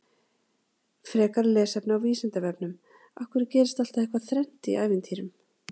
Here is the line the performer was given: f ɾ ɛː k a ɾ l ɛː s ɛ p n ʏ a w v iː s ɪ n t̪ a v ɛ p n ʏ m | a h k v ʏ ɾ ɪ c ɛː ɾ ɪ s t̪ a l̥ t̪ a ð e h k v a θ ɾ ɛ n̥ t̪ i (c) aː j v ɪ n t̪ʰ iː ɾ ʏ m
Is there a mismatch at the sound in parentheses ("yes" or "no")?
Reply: yes